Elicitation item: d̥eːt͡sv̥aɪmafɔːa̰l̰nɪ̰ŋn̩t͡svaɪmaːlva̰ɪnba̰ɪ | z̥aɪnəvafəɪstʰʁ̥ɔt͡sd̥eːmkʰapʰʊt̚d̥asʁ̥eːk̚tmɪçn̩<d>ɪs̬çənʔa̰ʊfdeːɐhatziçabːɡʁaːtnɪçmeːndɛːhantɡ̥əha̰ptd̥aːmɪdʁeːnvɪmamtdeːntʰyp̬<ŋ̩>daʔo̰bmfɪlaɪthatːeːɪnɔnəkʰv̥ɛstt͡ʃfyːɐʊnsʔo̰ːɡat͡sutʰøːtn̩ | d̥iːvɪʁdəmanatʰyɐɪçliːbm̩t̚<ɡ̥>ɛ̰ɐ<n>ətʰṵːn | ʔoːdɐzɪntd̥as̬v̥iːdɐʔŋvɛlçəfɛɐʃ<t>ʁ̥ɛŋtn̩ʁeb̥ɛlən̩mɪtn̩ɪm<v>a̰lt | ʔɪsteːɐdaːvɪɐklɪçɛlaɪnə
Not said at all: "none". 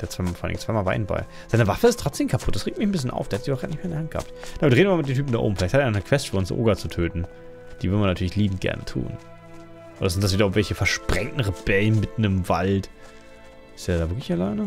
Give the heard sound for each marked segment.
b, m̩, ɡ̥, n, p, v

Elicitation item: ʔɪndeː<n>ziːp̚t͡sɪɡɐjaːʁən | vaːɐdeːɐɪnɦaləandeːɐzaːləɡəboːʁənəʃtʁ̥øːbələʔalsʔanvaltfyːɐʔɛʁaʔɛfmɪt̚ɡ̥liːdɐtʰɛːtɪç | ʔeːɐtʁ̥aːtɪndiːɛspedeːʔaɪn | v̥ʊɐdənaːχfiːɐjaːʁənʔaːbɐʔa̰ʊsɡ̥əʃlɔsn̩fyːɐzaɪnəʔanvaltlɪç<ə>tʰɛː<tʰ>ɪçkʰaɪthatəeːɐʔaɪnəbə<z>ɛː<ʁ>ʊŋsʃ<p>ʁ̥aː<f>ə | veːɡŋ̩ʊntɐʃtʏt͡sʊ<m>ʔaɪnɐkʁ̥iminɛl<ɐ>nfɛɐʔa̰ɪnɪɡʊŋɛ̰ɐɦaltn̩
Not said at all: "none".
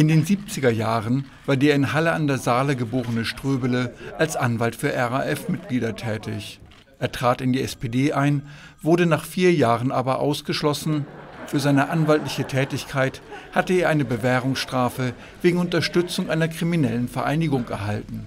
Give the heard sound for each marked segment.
n, ə, t, v, ʁ, t, f, ŋ, ə

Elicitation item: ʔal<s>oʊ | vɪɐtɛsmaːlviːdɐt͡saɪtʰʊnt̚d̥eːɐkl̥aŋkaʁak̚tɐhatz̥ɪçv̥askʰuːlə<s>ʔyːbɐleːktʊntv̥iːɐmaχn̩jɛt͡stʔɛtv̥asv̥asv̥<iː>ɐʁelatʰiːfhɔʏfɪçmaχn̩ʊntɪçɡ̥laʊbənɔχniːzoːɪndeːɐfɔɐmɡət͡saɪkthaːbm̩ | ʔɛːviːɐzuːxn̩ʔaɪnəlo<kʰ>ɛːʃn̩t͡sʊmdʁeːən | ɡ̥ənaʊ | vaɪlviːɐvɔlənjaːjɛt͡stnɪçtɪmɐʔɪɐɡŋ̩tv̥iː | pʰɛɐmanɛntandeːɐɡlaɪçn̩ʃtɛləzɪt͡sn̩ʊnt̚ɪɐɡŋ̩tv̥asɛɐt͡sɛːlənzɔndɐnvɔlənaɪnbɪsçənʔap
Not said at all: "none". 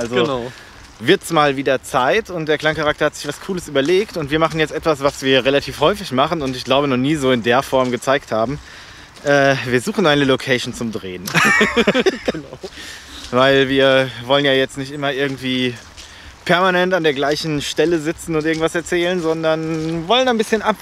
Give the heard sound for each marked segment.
z, s, iː, kʰ

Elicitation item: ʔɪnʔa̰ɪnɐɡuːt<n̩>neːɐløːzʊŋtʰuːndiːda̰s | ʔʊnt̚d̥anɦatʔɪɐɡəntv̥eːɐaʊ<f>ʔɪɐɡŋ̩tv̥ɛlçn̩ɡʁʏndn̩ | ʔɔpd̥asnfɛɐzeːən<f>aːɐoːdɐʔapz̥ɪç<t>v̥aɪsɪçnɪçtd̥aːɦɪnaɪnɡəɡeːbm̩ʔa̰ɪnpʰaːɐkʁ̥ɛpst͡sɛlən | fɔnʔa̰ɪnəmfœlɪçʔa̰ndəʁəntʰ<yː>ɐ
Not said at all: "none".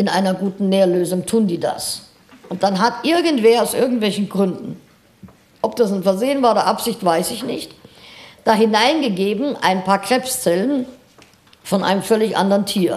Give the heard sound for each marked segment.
n̩, s, v, t, iː

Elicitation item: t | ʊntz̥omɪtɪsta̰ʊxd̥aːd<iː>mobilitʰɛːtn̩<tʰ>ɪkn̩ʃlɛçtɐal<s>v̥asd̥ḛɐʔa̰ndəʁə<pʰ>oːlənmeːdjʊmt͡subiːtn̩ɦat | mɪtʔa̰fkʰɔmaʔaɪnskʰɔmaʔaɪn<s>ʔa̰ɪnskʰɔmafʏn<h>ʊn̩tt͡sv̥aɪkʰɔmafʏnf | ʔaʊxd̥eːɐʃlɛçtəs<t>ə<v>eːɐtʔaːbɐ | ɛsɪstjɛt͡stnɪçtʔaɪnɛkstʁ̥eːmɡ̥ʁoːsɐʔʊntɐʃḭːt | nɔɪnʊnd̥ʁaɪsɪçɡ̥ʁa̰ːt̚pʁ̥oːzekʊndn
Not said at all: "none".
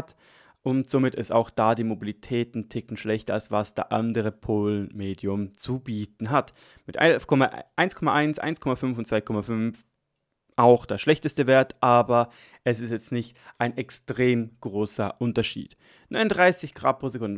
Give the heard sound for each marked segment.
iː, tʰ, s, pʰ, s, f, t, v

